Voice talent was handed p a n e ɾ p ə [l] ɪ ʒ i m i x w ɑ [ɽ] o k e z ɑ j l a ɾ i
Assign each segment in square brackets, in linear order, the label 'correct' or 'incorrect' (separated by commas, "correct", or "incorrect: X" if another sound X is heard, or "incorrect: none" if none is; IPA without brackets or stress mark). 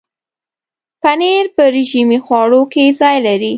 incorrect: ɾ, correct